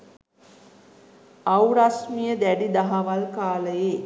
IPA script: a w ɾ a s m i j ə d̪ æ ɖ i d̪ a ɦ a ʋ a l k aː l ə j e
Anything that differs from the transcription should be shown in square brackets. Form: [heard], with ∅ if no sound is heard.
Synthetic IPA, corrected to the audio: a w ɾ a s m i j ə d̪ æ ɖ i d̪ a ɦ a ʋ a l k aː l ə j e